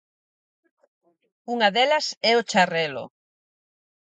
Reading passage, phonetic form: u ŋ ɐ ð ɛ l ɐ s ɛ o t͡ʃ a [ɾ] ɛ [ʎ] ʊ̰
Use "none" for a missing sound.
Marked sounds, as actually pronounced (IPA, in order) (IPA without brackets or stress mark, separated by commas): r, l